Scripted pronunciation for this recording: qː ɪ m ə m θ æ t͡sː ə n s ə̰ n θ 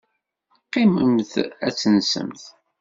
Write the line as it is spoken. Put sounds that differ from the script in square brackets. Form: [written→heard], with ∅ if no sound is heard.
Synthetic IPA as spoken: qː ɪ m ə m θ æ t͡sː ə n s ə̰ [n→m] θ